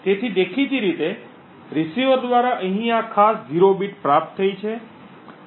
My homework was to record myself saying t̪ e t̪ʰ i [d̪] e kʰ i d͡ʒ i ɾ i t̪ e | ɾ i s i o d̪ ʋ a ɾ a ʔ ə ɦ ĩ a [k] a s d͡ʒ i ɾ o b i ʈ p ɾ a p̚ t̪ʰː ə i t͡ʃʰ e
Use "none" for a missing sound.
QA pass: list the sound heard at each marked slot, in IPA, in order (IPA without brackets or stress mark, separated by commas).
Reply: d̪, kʰ